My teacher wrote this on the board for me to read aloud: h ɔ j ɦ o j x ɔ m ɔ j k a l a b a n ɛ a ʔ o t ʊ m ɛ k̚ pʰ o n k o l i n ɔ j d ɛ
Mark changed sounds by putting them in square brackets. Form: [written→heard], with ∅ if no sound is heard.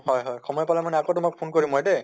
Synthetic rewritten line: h ɔ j ɦ [o→ɔ] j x ɔ m ɔ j [k→p] a l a [b→m] a n ɛ a [ʔ→k] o t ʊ m [ɛ→a] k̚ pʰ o n k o [l→ɹ] i [n→m] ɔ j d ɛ